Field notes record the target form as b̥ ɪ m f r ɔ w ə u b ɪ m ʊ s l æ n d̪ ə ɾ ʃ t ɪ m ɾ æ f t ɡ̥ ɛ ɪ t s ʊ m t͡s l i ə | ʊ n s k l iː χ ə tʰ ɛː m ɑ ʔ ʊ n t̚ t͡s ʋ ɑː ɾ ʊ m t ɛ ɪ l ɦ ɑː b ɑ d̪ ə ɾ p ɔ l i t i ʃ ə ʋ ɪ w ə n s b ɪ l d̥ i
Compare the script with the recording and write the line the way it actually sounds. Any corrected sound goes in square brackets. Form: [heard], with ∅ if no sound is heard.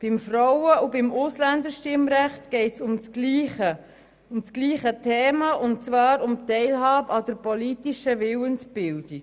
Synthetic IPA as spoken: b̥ ɪ m f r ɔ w ə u b ɪ m ʊ s l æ n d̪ ə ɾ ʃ t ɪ m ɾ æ [χ] t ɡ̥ ɛ ɪ t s ʊ m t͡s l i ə | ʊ [m] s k l iː χ ə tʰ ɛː m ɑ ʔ ʊ n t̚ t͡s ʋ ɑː ɾ ʊ m t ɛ ɪ l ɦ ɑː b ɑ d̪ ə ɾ p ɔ l i t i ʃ ə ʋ ɪ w ə n s b ɪ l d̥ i